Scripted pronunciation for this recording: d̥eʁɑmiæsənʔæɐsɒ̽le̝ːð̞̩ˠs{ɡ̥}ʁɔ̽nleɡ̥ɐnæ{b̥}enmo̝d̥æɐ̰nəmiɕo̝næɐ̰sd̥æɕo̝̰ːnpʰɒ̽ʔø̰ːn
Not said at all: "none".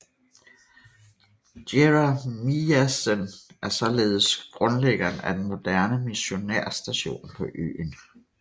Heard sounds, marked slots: ɡ̥, d̥

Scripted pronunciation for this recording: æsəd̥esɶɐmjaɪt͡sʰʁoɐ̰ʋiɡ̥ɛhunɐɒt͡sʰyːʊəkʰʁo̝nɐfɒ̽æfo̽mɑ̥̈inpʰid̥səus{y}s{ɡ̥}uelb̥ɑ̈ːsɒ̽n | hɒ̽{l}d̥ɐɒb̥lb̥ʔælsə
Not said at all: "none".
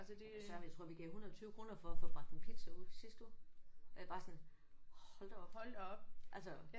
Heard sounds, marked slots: i, d̥, l

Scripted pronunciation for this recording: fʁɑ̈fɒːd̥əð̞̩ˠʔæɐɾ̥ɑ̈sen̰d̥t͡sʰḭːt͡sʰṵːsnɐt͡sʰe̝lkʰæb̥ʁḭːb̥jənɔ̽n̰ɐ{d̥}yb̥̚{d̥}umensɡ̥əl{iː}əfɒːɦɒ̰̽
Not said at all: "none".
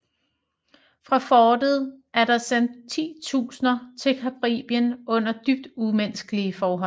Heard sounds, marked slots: d̥, d̥, i

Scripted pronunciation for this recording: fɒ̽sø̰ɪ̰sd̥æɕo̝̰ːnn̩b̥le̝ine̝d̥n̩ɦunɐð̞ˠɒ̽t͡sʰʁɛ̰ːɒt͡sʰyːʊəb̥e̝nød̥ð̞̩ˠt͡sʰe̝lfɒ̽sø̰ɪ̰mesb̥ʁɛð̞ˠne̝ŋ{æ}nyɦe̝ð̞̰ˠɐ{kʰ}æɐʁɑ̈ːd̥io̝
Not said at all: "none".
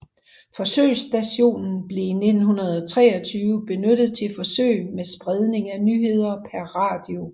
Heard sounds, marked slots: æ, pʰ

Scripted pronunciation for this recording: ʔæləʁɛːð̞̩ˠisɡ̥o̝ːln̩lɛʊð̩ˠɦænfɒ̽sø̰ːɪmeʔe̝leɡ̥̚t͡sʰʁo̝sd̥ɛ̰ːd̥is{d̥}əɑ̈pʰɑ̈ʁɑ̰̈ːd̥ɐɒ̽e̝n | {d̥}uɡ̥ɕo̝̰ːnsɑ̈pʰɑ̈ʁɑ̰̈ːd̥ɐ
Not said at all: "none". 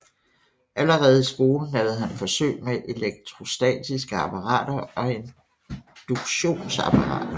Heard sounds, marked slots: ɡ̥, d̥

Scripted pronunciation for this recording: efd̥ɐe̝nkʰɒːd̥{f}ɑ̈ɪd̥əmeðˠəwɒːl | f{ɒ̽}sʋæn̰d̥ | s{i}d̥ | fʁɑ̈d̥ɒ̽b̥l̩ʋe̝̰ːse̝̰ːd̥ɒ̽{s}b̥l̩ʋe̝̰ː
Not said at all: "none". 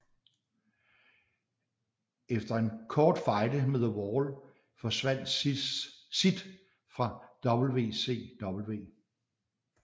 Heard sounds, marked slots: f, ɒ̽, i, none

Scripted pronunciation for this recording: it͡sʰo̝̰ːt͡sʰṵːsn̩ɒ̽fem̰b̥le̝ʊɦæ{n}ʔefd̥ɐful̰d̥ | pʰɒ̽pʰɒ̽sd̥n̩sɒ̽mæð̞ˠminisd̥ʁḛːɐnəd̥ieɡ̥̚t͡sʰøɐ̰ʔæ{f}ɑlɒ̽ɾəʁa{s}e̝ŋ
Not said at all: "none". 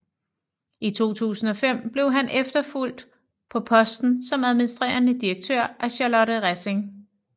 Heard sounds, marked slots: n, ɕ, s

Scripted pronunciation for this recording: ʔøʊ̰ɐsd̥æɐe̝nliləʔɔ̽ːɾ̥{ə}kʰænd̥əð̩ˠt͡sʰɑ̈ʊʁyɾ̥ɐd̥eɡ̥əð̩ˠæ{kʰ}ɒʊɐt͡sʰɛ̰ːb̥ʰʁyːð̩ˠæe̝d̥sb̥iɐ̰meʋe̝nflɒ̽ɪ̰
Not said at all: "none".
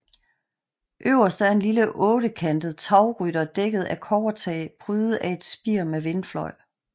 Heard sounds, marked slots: ə, kʰ

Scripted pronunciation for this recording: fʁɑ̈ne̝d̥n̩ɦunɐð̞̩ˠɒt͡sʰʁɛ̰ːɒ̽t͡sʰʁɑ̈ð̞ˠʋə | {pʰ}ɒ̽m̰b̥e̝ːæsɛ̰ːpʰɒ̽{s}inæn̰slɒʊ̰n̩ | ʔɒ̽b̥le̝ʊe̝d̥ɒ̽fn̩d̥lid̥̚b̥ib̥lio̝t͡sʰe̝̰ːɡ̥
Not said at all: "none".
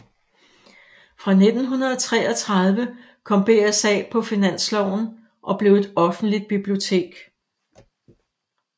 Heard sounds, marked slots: kʰ, f

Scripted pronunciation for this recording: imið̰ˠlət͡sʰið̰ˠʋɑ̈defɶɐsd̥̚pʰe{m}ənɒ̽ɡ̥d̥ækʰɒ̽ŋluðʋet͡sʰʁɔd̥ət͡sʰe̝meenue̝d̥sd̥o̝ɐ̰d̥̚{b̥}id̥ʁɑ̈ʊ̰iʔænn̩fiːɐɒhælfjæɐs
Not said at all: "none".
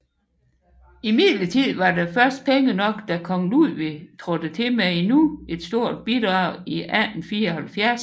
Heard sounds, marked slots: ŋ, b̥

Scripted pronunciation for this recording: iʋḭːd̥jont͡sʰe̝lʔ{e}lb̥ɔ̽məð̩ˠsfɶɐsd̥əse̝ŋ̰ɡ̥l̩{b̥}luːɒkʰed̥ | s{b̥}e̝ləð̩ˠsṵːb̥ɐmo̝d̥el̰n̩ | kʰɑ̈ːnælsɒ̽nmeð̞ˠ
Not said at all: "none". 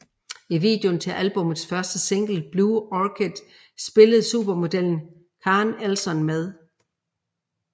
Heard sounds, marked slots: æ, b̥, b̥

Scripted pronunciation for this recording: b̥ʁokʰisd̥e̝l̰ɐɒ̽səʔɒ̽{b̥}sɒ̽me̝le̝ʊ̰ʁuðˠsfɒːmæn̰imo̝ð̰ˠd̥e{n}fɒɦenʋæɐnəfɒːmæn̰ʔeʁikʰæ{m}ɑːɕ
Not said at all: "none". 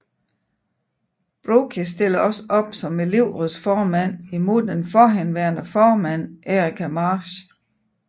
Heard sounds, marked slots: b̥, n, m

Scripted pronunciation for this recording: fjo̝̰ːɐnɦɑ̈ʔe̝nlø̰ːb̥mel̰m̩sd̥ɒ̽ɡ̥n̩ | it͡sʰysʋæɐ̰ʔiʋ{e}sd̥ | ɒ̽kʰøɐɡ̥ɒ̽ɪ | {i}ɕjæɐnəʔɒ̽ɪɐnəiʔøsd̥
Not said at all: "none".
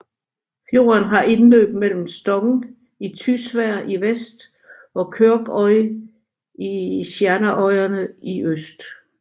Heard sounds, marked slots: e, i

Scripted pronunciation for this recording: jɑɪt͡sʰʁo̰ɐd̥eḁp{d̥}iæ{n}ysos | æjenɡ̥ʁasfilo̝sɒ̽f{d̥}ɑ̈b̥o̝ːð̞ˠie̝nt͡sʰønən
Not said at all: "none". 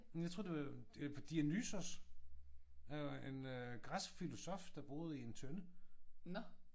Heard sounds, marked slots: d̥, n, d̥

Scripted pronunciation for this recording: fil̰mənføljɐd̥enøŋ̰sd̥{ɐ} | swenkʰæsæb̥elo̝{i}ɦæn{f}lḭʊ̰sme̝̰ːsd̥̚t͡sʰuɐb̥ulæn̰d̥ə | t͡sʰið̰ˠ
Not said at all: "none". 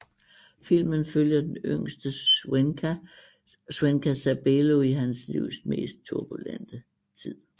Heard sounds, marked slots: ə, i, s

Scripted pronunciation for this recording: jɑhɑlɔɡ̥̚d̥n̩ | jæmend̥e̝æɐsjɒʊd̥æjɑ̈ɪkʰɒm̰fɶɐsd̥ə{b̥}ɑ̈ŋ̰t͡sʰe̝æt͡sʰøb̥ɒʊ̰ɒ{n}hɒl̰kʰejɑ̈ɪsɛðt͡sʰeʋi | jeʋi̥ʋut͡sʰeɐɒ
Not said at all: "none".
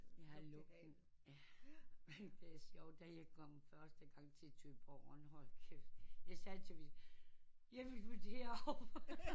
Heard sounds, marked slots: ɡ̥, n

